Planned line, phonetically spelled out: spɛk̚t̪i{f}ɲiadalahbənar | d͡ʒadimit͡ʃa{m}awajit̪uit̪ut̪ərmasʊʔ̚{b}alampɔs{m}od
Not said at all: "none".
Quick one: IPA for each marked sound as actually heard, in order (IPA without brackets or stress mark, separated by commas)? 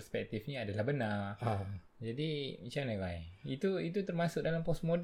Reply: f, n, d, m